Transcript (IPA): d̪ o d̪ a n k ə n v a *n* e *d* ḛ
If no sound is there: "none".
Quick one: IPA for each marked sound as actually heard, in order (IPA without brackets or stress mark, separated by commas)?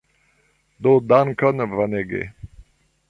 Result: n, ɡ